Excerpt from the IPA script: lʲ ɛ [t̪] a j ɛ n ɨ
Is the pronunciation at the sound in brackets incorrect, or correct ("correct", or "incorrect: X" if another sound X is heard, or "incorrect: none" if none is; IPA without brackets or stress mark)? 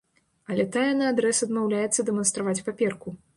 correct